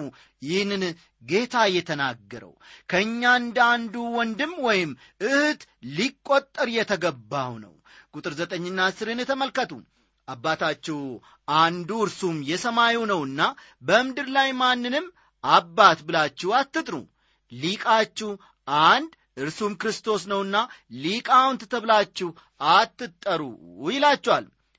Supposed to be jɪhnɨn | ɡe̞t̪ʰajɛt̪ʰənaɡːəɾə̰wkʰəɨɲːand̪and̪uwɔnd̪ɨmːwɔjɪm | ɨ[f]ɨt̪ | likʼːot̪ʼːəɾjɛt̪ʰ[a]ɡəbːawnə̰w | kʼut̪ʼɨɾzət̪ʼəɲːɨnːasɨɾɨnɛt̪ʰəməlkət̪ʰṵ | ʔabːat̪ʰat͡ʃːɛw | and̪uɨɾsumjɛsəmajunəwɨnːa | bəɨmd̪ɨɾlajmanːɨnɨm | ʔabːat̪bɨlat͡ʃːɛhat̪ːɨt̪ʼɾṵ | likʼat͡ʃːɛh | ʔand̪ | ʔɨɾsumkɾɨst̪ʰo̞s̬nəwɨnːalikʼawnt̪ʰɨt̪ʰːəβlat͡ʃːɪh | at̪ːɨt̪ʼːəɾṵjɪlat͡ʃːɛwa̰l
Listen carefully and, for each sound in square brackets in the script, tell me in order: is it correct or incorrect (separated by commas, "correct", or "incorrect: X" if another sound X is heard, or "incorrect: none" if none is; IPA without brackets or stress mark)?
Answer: incorrect: h, incorrect: ə